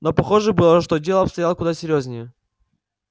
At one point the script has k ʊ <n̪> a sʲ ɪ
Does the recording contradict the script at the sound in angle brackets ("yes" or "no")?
yes